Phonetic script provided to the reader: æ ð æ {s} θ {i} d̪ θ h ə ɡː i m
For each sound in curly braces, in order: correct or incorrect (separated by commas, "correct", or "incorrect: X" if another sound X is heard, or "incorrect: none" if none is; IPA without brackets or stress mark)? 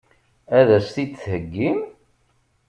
correct, correct